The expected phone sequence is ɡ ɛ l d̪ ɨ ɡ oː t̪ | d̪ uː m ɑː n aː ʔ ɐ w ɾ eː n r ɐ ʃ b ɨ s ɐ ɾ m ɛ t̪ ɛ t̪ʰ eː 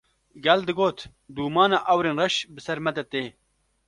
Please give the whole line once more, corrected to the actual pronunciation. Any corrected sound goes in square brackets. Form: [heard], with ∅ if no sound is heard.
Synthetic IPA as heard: ɡ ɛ l d̪ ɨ ɡ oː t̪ | d̪ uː m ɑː n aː ʔ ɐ w ɾ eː n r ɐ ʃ b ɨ s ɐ ɾ m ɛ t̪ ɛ [t̪] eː